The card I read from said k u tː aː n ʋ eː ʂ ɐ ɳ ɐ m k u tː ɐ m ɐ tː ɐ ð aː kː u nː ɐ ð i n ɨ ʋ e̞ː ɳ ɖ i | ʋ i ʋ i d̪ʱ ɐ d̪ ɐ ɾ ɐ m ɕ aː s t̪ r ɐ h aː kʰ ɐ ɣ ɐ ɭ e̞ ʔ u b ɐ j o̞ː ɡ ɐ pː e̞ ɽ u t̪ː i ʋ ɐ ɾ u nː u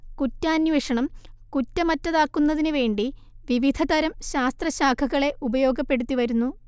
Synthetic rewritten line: k u tː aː n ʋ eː ʂ ɐ ɳ ɐ m k u tː ɐ m ɐ tː ɐ ð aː kː u nː ɐ ð i n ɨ ʋ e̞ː ɳ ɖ i | ʋ i ʋ i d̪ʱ ɐ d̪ ɐ ɾ ɐ m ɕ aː s t̪ r ɐ ɕ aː kʰ ɐ ɣ ɐ ɭ e̞ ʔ u b ɐ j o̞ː ɡ ɐ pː e̞ ɽ u t̪ː i ʋ ɐ ɾ u nː u